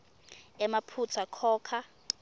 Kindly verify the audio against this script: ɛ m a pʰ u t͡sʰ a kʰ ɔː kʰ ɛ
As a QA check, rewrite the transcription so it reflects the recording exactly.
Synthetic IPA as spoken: ɛ m a pʰ u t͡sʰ a kʰ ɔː kʰ a